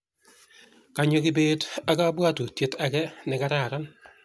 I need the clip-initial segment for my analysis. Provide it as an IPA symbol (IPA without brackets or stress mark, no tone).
k